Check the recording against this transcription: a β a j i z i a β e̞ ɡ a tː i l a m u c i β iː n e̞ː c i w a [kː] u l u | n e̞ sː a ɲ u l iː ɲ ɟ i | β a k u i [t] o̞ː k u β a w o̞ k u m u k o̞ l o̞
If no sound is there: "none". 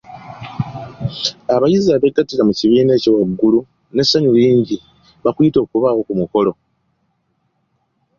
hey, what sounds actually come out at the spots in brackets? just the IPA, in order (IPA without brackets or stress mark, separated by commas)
ɡː, t